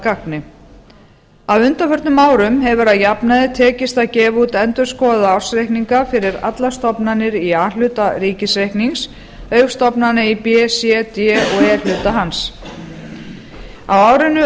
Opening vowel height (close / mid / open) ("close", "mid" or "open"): open